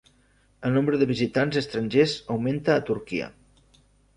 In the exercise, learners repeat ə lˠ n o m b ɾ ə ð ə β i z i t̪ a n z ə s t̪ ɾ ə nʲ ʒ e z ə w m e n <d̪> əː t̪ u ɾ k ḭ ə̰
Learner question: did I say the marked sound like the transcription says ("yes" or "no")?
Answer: no